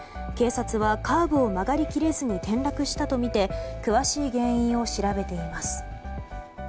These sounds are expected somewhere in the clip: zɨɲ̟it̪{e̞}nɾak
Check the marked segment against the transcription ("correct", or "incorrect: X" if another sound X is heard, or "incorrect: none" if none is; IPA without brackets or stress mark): incorrect: ẽ̞